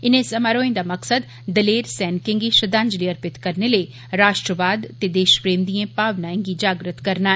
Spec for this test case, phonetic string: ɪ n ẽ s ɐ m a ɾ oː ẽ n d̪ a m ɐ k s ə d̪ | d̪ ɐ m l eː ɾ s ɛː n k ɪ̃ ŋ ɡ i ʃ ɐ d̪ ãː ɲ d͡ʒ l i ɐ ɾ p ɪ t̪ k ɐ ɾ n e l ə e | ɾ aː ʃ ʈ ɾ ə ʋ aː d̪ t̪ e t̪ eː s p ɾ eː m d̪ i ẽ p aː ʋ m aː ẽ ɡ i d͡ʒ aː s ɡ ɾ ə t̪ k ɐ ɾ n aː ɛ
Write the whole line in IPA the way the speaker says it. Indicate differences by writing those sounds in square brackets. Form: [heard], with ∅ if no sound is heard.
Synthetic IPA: ɪ n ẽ s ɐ m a ɾ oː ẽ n d̪ a m ɐ k s ə d̪ | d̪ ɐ [∅] l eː ɾ s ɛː n k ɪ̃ ŋ ɡ i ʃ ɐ d̪ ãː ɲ d͡ʒ l i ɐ ɾ p ɪ t̪ k ɐ ɾ n e l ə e | ɾ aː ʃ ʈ ɾ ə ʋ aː d̪ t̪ e [d̪] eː [ʃ] p ɾ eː m d̪ i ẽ p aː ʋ [n] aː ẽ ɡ i d͡ʒ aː [∅] ɡ ɾ ə t̪ k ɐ ɾ n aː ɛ